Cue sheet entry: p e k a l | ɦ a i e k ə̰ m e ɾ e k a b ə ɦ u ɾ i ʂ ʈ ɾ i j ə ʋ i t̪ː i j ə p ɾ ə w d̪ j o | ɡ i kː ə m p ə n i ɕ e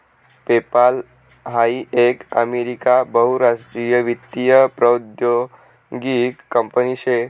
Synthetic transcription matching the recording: p e p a l | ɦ a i e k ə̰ m e ɾ i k a b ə ɦ u ɾ a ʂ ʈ ɾ i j ə ʋ i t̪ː i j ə p ɾ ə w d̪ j o | ɡ i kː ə m p ə n i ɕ e